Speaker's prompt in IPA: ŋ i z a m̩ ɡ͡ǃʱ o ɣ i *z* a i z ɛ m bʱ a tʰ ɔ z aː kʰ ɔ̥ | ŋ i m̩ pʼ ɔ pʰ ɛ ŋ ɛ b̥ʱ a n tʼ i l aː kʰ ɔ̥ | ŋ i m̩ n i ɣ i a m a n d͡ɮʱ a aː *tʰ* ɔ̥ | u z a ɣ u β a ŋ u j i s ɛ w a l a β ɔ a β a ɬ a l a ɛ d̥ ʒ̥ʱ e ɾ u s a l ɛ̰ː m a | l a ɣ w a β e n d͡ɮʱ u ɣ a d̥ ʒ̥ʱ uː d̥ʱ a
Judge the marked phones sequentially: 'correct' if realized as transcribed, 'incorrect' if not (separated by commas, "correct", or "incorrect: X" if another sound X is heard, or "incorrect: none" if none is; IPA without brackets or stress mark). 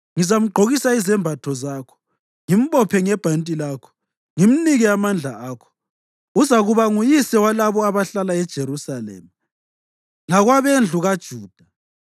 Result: incorrect: s, incorrect: kʰ